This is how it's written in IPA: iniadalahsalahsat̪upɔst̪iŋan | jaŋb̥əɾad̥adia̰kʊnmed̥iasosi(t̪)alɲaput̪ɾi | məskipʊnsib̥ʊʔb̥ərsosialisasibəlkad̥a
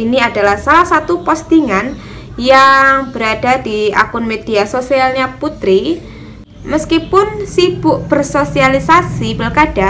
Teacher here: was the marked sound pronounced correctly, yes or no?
no